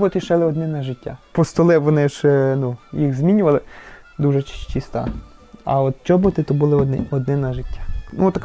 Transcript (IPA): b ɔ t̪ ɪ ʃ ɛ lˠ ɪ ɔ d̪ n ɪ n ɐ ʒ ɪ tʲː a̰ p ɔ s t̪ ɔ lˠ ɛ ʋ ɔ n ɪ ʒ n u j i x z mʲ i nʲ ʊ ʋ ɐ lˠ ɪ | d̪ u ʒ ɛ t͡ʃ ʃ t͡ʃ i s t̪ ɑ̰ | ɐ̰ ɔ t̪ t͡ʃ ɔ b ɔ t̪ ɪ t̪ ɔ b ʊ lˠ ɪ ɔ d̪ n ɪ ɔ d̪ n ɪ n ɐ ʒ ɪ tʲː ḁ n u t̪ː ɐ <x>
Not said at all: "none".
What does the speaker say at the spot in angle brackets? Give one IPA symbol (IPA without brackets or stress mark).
k